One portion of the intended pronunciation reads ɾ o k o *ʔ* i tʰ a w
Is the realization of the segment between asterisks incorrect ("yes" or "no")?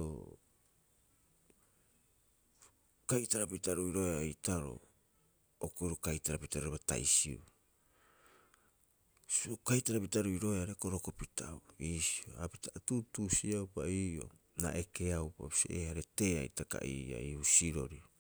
yes